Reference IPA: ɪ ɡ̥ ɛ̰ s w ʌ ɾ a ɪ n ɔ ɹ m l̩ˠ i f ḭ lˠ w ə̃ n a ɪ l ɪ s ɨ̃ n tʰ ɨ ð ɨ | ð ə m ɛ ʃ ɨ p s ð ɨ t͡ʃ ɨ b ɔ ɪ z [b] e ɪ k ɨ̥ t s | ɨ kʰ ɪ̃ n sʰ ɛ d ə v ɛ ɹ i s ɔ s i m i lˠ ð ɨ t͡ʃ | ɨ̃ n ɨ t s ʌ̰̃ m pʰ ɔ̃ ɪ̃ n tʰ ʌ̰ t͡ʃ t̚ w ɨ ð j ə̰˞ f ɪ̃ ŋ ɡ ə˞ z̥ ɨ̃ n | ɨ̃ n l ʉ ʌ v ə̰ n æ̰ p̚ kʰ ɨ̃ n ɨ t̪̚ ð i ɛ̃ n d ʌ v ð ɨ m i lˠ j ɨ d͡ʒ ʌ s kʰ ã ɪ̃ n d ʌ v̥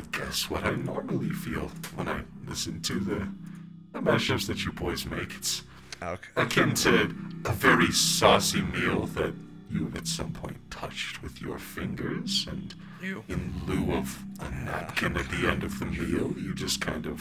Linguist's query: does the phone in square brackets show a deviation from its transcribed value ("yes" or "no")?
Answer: yes